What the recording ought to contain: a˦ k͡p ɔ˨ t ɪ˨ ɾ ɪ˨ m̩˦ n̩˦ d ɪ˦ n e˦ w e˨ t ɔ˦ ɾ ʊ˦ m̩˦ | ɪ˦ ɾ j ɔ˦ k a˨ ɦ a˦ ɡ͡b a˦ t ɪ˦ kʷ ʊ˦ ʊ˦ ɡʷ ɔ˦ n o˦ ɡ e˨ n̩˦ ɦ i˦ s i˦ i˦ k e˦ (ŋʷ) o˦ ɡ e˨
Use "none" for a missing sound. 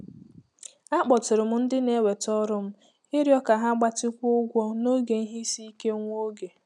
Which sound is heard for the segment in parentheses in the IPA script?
ŋʷ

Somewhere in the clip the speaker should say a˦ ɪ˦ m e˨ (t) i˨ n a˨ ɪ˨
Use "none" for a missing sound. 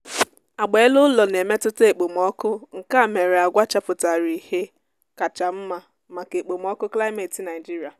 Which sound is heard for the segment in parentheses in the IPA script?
t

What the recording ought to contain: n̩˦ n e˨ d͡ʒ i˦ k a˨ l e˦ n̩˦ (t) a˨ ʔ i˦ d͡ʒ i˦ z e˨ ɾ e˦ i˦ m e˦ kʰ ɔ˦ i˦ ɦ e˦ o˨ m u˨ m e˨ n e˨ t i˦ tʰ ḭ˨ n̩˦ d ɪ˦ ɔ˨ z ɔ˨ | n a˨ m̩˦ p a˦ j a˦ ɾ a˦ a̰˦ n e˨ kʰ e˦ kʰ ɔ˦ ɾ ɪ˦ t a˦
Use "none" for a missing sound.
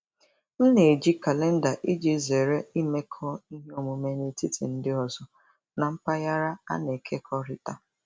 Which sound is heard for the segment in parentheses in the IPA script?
d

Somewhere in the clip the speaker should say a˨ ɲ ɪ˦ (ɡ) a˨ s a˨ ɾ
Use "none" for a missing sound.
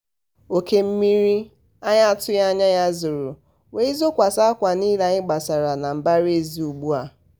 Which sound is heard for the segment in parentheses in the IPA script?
ɡ͡b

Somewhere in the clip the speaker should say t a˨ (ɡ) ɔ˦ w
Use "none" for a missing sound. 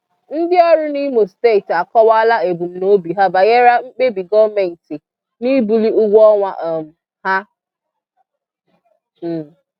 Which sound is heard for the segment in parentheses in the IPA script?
k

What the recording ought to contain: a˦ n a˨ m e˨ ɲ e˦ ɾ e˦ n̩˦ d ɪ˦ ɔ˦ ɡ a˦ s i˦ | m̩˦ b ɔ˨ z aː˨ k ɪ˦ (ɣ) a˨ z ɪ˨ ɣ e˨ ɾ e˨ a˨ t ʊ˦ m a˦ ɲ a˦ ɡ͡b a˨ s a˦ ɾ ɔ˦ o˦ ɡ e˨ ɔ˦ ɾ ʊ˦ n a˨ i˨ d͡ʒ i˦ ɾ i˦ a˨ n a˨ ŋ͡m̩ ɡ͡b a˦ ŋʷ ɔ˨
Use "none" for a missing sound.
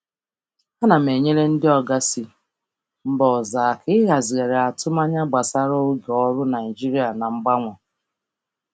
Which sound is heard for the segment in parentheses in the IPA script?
ɣ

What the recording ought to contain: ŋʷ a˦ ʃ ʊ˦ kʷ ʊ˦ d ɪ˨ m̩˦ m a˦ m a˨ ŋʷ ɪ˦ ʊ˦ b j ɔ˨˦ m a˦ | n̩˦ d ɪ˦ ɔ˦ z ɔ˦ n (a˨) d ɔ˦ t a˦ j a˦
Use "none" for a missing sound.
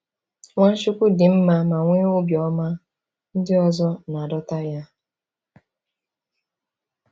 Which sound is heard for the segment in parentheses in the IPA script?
a˨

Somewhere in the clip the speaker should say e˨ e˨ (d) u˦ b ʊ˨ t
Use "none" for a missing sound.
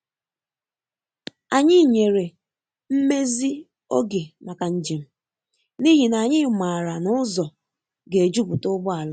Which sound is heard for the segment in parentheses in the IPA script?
d͡ʒ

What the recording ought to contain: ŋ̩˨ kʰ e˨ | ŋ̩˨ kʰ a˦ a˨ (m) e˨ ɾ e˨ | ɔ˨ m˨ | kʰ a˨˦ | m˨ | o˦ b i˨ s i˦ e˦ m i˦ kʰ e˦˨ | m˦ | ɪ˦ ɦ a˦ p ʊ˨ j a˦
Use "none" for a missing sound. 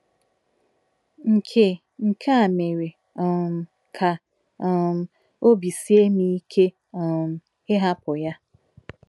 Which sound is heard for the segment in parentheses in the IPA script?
m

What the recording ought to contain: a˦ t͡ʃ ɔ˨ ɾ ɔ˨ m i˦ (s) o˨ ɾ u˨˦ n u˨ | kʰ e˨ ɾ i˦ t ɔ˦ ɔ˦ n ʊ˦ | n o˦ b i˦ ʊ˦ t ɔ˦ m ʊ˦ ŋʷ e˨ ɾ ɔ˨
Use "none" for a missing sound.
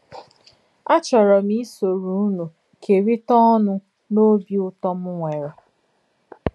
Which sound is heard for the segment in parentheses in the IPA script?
s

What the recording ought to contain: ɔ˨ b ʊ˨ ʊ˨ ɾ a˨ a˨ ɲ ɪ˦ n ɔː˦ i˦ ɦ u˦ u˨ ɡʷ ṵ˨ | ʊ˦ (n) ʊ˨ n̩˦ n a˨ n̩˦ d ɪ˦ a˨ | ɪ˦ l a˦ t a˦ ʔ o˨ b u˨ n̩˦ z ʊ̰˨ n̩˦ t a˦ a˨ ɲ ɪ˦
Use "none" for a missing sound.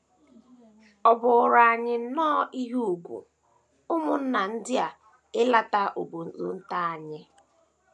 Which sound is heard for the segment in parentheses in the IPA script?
m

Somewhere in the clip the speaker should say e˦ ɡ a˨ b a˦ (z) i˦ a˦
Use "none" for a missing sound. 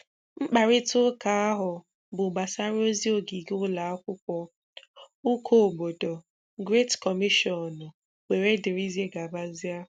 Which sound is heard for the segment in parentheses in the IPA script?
z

